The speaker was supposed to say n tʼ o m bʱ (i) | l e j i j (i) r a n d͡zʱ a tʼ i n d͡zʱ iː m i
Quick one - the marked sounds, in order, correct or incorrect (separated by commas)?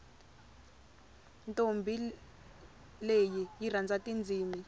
correct, correct